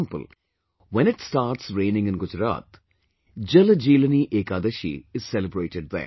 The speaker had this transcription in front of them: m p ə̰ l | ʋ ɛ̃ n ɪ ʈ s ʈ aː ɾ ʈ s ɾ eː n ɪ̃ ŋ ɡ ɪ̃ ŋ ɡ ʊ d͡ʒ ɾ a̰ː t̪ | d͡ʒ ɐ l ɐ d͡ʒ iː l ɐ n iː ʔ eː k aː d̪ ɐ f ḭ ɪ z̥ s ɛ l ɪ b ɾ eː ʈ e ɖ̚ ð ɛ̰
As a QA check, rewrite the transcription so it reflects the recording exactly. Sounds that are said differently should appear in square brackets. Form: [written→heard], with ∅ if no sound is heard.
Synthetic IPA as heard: m p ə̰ l | ʋ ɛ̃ n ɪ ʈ s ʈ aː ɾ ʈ s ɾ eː n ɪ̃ ŋ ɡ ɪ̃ [ŋ→n] ɡ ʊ d͡ʒ ɾ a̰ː t̪ | d͡ʒ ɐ l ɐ d͡ʒ iː l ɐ n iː ʔ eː k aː d̪ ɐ [f→ʃ] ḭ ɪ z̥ s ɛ l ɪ b ɾ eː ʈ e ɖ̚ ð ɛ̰